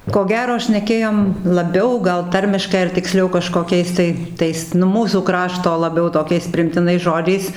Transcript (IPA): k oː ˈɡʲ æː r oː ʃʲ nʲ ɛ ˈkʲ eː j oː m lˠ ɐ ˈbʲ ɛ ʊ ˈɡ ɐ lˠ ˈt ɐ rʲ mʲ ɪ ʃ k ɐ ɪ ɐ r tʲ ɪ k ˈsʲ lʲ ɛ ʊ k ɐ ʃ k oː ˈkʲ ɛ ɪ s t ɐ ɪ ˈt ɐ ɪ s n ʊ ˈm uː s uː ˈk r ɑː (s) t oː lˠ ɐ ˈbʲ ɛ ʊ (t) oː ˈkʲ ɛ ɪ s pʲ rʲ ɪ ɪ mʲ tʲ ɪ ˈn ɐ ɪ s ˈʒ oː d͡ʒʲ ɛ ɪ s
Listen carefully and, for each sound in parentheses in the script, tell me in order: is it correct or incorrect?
incorrect, correct

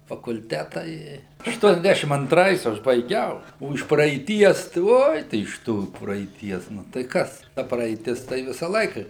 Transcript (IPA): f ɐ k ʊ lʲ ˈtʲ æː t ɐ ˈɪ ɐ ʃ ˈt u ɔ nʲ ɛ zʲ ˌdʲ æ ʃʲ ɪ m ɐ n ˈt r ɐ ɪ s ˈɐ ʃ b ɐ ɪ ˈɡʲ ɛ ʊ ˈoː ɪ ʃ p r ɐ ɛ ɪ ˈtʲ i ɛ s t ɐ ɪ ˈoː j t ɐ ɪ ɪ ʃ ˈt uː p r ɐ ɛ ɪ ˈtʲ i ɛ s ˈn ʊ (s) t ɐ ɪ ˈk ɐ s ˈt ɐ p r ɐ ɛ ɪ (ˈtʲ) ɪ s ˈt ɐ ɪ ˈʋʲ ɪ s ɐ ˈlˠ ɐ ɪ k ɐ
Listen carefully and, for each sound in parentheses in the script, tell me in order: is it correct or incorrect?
incorrect, correct

